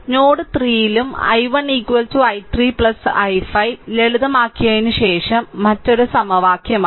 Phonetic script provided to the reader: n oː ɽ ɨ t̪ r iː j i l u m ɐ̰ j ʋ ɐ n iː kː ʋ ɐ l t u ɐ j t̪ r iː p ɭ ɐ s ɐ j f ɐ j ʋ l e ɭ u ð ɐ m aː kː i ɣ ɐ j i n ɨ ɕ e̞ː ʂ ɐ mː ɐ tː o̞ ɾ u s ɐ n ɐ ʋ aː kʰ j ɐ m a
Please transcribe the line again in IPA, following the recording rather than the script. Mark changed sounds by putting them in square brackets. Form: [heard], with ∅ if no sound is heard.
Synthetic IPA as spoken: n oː ɽ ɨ t̪ r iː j i l u m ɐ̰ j ʋ ɐ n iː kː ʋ ɐ l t u ɐ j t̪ r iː p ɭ ɐ s ɐ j f ɐ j ʋ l e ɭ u ð ɐ m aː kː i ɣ ɐ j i n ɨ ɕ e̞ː ʂ ɐ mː ɐ tː o̞ ɾ u s ɐ [m] ɐ ʋ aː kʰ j ɐ m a